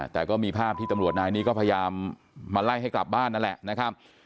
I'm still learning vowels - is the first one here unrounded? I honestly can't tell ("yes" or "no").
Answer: yes